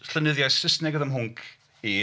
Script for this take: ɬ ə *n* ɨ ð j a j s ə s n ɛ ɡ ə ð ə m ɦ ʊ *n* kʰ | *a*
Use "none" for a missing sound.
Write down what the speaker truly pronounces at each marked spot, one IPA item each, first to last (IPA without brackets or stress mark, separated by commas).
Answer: n, ŋ, i